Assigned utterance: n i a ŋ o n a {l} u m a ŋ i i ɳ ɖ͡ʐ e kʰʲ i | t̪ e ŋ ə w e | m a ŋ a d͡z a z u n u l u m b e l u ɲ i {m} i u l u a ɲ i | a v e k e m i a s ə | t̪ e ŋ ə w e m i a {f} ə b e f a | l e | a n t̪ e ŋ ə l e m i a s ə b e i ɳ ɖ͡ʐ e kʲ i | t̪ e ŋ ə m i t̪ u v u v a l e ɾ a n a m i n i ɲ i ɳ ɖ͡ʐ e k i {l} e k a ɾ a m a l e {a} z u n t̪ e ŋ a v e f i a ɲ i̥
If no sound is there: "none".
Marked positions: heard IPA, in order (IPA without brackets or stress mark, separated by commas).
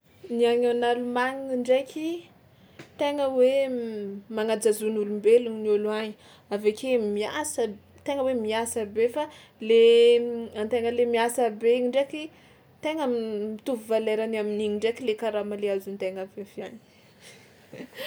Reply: l, n, s, l, a